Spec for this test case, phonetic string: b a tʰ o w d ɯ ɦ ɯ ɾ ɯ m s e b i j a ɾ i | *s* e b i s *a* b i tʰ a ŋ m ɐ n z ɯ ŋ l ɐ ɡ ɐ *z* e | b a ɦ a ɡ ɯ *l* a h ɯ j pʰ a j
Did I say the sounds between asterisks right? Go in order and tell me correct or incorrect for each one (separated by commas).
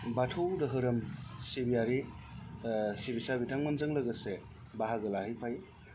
correct, correct, incorrect, correct